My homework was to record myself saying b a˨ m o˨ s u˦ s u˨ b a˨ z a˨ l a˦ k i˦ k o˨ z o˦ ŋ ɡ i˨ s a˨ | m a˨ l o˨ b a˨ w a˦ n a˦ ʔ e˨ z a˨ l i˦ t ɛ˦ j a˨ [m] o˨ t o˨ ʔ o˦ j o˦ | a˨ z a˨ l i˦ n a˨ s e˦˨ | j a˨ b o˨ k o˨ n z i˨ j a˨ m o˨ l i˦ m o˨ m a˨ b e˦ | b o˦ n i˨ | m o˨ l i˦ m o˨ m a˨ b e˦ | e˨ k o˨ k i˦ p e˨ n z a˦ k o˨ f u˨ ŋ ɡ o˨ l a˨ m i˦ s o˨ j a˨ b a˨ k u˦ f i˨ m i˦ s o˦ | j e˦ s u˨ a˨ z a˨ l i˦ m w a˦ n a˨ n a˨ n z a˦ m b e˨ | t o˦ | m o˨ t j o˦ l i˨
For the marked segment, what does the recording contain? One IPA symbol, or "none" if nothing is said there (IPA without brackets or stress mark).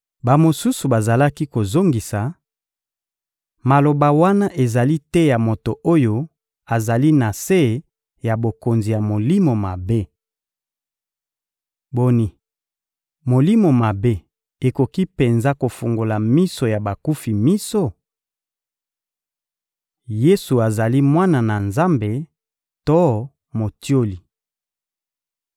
m